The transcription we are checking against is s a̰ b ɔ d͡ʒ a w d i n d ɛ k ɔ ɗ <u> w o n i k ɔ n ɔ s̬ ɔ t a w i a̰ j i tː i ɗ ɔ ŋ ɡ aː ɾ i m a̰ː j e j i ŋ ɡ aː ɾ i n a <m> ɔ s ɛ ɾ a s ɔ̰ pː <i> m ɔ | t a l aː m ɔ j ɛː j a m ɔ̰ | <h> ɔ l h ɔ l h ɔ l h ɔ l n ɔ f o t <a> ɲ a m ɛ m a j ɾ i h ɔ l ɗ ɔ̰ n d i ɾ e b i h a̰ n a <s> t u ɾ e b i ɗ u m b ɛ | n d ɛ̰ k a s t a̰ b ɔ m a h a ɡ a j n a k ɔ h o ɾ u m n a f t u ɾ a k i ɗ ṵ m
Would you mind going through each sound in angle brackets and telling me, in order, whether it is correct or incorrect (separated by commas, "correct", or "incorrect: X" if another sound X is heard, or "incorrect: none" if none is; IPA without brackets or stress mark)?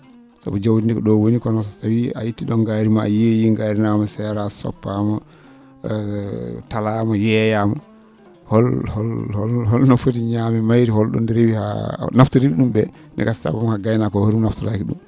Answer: incorrect: ɔ, correct, incorrect: a, correct, incorrect: i, incorrect: f